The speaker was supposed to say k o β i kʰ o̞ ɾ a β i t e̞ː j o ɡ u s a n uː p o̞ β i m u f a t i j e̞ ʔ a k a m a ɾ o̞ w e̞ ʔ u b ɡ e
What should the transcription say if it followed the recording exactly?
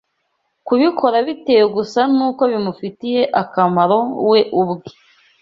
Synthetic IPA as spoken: k u β i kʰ o̞ ɾ a β i t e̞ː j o ɡ u s a n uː k o̞ β i m u f i t i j e̞ ʔ a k a m a ɾ o̞ w e̞ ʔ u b ɡ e